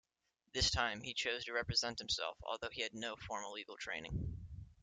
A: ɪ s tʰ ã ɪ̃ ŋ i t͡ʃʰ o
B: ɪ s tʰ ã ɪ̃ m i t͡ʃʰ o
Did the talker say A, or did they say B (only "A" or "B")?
B